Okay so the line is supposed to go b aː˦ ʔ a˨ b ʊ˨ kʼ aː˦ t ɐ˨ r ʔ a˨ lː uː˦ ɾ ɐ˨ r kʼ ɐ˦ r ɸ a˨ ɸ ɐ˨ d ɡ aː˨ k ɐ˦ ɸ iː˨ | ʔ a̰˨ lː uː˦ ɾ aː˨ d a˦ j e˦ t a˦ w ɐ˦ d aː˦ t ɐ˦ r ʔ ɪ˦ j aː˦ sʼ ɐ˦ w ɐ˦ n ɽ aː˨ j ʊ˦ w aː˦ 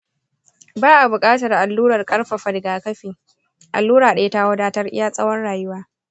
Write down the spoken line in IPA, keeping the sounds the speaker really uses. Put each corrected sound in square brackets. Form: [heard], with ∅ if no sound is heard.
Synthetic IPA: b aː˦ ʔ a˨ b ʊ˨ kʼ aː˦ t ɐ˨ r ʔ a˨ lː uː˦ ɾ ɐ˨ r kʼ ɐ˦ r ɸ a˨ ɸ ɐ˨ d ɡ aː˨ k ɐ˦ ɸ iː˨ | ʔ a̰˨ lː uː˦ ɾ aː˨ [ɗ] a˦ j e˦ t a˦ w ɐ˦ d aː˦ t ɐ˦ r ʔ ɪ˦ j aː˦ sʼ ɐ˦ w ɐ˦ n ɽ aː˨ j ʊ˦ w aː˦

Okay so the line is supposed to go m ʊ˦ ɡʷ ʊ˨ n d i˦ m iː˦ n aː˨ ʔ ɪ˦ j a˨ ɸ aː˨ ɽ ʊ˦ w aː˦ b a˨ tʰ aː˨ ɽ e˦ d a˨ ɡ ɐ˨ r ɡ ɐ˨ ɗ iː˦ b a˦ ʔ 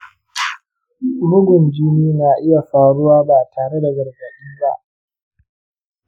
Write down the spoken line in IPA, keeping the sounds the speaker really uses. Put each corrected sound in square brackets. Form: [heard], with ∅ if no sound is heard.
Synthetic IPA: m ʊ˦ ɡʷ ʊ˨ n [d͡ʒ] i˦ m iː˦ n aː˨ ʔ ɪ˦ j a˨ ɸ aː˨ ɽ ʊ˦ w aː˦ b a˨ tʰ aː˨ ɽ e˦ d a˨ ɡ ɐ˨ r ɡ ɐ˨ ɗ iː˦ b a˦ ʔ

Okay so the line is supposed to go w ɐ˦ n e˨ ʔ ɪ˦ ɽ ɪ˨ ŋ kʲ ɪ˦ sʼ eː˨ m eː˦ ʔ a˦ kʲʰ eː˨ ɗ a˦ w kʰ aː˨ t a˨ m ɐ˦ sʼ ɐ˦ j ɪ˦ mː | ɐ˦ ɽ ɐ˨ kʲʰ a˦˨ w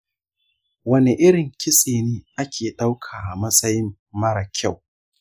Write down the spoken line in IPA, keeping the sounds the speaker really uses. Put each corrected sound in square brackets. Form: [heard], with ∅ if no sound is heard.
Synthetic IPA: w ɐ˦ n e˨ ʔ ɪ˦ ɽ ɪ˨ ŋ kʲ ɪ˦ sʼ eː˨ [n] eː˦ ʔ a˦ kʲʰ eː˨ ɗ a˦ w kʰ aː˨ [ʔ] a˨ m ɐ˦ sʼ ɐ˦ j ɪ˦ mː | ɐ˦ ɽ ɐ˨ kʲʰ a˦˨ w

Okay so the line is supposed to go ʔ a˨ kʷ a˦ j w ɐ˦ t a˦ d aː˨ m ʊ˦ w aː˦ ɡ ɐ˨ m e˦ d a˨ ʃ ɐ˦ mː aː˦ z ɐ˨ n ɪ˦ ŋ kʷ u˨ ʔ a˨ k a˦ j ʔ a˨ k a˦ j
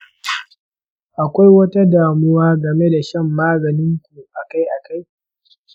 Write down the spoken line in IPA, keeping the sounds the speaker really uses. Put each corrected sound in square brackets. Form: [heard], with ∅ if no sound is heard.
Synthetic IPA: ʔ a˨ kʷ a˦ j w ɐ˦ t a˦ d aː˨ m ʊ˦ w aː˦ ɡ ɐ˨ m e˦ d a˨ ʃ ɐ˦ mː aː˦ z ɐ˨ n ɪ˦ ŋ kʷ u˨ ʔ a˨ k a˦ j ʔ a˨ k a˦ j

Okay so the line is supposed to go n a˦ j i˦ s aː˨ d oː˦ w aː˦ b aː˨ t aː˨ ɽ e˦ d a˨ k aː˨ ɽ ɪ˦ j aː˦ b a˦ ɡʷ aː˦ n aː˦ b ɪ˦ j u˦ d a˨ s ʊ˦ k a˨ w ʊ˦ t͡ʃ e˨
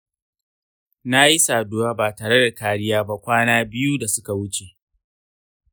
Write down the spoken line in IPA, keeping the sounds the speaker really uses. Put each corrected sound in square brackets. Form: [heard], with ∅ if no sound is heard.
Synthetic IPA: n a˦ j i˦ s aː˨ d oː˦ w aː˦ b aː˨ t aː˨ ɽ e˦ d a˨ k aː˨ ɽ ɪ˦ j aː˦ b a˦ [kʷ] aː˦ n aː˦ b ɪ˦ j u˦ d a˨ s ʊ˦ k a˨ w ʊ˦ t͡ʃ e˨

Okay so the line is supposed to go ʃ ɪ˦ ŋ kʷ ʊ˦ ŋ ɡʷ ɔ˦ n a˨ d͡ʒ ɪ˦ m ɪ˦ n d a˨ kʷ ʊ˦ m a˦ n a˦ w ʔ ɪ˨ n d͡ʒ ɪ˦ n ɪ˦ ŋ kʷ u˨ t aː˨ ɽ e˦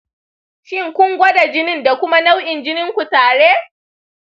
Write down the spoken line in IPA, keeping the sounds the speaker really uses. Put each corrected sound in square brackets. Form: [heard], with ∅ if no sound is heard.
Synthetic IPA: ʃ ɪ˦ ŋ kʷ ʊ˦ ŋ ɡʷ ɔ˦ [d] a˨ d͡ʒ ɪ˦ [n] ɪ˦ n d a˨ kʷ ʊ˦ m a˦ n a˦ w ʔ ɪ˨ n d͡ʒ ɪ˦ n ɪ˦ ŋ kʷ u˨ t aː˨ ɽ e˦

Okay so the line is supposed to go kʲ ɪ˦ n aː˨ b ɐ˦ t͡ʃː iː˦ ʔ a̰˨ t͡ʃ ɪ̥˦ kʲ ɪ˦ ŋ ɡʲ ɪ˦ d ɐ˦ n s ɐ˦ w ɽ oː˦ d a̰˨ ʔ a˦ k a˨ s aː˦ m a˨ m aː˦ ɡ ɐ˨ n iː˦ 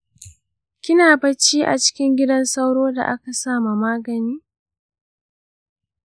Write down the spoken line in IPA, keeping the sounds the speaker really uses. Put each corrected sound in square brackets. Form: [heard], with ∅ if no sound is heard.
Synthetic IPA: kʲ ɪ˦ n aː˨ b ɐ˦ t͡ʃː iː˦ ʔ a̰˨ t͡ʃ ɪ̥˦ kʲ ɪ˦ ŋ ɡʲ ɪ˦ d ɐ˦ n s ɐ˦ w ɽ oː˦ d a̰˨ ʔ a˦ k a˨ s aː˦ m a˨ m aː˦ ɡ ɐ˨ n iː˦

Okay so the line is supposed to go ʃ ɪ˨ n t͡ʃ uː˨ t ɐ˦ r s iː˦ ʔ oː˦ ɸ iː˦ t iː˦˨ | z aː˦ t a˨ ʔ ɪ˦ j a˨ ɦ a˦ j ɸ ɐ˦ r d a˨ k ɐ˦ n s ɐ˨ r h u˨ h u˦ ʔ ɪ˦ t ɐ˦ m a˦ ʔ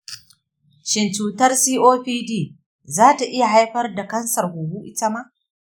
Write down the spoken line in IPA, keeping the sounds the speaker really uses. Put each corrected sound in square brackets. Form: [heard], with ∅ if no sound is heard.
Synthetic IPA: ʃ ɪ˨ n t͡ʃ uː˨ t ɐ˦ r s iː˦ ʔ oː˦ ɸ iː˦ [d] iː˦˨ | z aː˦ t a˨ ʔ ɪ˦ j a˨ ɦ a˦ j ɸ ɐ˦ r d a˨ k ɐ˦ n s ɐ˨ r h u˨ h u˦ ʔ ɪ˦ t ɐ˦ m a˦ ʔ

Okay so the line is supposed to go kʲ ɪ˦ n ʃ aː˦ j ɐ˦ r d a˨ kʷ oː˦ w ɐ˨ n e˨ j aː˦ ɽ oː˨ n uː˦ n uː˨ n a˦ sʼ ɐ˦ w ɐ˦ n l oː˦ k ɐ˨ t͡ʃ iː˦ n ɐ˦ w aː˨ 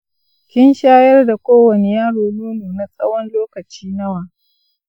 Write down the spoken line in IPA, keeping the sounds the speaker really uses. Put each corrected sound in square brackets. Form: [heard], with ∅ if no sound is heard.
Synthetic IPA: kʲ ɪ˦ n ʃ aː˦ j ɐ˦ r d a˨ kʷ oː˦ w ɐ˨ n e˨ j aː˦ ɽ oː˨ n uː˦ n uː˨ n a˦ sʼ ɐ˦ w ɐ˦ n l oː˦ k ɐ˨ t͡ʃ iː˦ n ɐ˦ w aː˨

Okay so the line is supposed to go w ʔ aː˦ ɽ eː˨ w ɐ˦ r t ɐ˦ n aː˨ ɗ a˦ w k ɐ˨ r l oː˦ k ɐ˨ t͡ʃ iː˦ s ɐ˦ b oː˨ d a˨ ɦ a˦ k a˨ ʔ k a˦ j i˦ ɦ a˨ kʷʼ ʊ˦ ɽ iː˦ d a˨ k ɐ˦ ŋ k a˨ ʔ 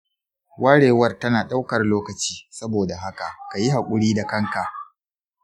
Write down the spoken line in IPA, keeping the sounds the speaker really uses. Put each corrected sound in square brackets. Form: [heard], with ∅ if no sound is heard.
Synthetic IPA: w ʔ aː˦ ɽ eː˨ w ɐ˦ r t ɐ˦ n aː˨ ɗ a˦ w k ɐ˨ r l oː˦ k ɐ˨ t͡ʃ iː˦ s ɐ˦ b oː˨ d a˨ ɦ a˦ k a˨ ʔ k [a˨] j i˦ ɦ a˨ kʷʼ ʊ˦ ɽ iː˦ d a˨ k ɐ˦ ŋ k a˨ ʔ

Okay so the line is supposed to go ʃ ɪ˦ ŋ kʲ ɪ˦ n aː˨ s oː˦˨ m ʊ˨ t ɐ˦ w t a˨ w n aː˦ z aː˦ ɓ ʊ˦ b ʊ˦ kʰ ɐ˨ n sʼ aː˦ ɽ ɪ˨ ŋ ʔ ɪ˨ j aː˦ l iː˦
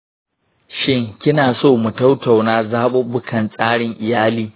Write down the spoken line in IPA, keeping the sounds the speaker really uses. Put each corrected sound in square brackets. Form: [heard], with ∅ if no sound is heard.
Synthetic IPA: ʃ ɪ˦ ŋ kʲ ɪ˦ n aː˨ s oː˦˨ m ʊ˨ t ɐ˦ w t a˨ w n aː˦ z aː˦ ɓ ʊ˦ b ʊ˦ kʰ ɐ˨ n sʼ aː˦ ɽ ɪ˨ ŋ ʔ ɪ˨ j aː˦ l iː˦

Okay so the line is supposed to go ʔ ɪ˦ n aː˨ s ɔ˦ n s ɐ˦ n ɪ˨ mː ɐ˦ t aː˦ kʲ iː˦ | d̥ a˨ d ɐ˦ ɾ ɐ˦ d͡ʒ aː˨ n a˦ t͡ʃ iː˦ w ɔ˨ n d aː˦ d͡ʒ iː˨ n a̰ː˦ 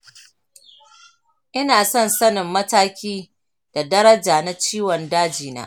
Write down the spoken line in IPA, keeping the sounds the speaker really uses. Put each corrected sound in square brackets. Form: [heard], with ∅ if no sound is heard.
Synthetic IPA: ʔ ɪ˦ n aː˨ s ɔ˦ n s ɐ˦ n ɪ˨ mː ɐ˦ t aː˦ kʲ iː˦ | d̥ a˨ d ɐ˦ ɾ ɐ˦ d͡ʒ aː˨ n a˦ t͡ʃ iː˦ w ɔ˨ n d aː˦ d͡ʒ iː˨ n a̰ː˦

